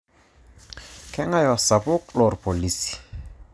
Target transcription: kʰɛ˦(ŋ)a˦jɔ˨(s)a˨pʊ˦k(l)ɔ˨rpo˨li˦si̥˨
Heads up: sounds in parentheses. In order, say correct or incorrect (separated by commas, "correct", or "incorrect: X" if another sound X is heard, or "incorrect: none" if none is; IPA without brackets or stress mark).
correct, correct, correct